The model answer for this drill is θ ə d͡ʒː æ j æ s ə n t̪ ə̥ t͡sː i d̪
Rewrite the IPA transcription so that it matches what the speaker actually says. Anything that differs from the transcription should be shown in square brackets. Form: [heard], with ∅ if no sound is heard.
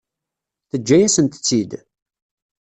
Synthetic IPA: θ ə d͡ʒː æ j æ s ə n t̪ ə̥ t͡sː i d̪